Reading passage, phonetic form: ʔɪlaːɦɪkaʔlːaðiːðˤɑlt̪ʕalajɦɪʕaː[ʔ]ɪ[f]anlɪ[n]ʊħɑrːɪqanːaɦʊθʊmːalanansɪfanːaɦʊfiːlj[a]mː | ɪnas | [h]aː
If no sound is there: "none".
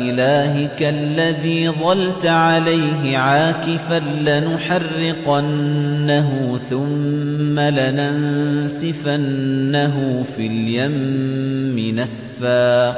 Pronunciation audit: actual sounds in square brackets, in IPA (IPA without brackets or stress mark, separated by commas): k, f, n, a, f